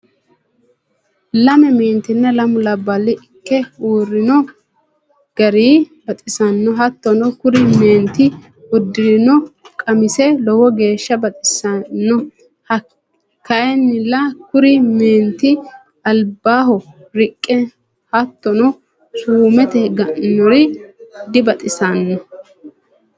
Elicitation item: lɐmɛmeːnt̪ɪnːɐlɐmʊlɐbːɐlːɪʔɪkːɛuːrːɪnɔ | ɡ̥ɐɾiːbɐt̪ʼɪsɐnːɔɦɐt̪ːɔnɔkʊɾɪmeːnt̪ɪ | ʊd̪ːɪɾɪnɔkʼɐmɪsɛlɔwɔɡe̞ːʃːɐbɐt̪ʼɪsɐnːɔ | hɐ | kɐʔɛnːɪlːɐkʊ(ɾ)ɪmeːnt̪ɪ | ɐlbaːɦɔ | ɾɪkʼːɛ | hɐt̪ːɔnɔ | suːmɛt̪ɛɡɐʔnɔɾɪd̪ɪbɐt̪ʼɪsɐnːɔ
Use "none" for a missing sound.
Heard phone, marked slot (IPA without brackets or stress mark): ɾ